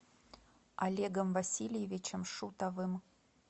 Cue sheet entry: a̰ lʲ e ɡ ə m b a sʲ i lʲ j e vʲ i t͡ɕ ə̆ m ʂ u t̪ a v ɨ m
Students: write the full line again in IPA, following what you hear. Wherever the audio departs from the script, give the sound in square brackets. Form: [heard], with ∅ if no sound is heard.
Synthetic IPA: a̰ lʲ e ɡ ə m [v] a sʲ i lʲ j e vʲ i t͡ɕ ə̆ m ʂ u t̪ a v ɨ m

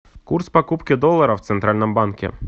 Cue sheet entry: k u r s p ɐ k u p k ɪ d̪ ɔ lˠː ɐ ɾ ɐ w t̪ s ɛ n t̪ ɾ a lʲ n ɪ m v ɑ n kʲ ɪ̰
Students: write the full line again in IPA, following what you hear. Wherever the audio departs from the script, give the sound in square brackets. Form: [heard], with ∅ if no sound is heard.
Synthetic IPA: k u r s p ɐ k u p k ɪ d̪ ɔ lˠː ɐ ɾ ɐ w t̪ s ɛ n t̪ ɾ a lʲ n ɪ m [b] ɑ n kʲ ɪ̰

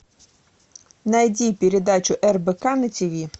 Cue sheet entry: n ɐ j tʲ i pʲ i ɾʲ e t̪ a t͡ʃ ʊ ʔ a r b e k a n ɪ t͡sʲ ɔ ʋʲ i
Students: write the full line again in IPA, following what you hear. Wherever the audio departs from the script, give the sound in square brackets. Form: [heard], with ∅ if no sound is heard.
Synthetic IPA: n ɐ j [dʲ] i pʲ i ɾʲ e [d̪] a t͡ʃ ʊ ʔ [ɛ] r b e k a n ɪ t͡sʲ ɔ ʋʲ i

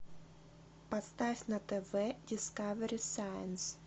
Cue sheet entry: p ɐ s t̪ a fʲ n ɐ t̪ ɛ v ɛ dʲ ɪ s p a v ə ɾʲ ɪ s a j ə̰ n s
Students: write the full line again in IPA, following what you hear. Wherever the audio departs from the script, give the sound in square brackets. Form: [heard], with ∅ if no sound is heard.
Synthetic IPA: p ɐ s t̪ a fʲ n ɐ t̪ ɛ v ɛ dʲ ɪ s [k] a v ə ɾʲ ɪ s a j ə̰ n s

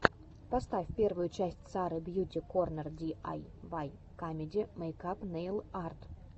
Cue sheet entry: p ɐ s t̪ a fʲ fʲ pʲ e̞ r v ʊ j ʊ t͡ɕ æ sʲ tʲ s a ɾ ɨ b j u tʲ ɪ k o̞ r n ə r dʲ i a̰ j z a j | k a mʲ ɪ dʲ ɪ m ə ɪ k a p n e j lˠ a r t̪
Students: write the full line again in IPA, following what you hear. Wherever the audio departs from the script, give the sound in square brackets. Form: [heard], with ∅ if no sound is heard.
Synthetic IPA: p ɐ s t̪ a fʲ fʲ pʲ e̞ r v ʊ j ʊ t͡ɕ æ sʲ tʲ s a ɾ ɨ b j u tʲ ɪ k o̞ r n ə r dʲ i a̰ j [v] a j | k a mʲ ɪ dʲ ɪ m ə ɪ k a p n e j lˠ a r t̪

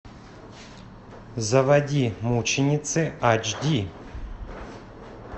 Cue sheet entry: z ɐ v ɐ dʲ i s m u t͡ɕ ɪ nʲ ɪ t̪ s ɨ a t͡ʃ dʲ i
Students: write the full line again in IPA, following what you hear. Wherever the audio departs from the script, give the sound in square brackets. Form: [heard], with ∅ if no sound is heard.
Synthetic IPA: z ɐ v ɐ dʲ i [∅] m u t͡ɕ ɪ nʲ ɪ t̪ s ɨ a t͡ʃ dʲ i

